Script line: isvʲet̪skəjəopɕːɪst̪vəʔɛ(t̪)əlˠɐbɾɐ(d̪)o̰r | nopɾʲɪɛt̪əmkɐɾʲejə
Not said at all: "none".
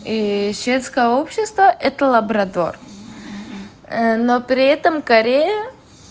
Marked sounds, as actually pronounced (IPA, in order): t̪, d̪

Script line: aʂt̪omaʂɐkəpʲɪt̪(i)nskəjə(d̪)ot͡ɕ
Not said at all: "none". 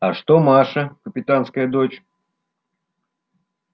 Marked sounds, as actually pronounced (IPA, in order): a, d̪

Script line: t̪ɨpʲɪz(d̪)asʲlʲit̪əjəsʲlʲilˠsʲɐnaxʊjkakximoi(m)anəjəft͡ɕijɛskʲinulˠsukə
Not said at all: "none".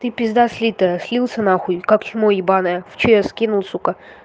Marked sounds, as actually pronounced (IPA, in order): d̪, b

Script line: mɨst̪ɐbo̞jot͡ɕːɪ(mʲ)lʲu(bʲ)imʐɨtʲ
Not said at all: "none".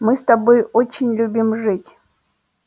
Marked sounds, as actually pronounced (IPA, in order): nʲ, bʲ

